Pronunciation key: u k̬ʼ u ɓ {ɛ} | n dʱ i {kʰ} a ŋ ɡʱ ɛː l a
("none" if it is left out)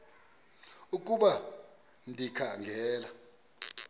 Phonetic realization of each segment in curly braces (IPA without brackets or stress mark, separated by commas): a, kʰ